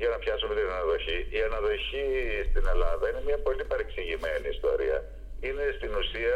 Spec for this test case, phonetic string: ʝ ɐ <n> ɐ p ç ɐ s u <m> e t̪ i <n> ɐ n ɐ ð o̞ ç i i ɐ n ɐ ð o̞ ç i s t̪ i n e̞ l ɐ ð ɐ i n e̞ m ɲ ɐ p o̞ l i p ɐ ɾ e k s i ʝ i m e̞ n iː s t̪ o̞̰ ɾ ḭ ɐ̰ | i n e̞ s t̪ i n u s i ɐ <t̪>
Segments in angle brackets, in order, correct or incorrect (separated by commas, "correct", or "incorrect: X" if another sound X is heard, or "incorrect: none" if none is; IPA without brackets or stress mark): correct, correct, correct, incorrect: none